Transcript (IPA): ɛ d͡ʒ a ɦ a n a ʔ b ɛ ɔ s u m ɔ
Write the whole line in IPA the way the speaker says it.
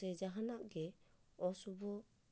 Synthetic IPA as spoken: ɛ d͡ʒ a ɦ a n a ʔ ɡ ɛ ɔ s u b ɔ